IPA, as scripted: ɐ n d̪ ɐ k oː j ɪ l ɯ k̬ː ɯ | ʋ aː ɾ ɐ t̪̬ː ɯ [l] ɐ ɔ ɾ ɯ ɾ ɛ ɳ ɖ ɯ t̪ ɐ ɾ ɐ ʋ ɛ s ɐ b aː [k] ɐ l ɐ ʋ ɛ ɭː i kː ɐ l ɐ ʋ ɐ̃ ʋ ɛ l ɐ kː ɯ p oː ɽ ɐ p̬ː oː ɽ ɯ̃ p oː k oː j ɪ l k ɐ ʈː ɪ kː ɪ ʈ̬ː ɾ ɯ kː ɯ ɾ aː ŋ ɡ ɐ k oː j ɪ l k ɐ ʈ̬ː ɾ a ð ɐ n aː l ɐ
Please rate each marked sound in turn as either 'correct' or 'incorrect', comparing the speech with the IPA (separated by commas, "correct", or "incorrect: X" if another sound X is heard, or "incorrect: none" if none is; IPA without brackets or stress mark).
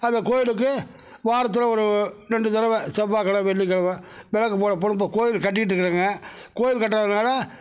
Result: correct, correct